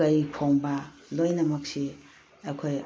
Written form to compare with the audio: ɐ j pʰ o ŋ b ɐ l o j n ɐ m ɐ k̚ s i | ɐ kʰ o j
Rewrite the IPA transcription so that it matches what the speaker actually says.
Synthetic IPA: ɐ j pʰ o ŋ b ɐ l o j n ɐ m ɐ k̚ s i | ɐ kʰ o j